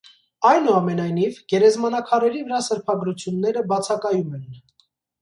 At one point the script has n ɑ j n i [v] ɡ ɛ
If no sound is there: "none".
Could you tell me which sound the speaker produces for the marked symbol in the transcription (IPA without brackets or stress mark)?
v